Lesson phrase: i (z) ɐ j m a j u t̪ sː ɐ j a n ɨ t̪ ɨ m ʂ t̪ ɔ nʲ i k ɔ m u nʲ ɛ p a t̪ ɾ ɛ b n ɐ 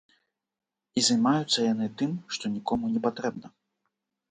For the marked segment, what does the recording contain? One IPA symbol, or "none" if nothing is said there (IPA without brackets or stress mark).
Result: z